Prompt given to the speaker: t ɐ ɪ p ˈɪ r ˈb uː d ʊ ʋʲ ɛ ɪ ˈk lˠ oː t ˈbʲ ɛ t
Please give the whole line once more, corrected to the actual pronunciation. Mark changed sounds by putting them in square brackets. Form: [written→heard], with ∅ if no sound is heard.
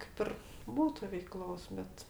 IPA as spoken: [t→k] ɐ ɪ p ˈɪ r ˈb uː [d→t] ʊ ʋʲ ɛ ɪ ˈk lˠ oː [t→s] ˈbʲ ɛ t